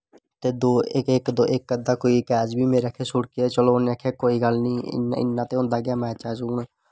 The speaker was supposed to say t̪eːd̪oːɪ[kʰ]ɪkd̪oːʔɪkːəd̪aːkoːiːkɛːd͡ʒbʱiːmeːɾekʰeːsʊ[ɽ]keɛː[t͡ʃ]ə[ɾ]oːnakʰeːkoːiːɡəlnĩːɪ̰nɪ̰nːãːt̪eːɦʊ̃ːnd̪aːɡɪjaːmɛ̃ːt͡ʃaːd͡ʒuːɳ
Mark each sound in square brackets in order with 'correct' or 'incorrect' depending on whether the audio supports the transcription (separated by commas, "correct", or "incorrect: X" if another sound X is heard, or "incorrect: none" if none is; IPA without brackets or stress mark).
incorrect: k, correct, correct, incorrect: l